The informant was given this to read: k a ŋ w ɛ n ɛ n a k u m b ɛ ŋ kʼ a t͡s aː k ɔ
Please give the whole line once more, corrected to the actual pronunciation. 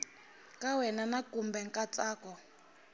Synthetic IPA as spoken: k a w ɛ n a n a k u m b ɛ ŋ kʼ a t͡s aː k ɔ